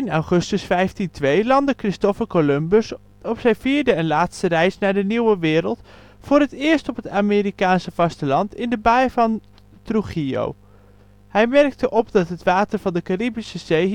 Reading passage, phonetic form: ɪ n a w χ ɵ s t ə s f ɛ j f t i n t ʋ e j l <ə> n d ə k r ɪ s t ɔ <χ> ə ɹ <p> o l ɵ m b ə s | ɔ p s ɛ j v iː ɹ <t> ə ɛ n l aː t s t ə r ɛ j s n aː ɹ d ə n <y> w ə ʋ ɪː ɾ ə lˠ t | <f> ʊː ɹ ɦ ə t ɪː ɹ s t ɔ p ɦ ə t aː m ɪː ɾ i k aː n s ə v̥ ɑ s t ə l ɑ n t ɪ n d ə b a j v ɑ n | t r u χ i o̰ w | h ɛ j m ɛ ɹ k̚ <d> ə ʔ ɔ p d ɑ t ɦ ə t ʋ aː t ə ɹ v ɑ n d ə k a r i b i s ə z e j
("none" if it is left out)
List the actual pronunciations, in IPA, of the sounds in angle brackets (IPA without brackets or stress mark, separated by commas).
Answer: ɑ, f, k, d, i, f, t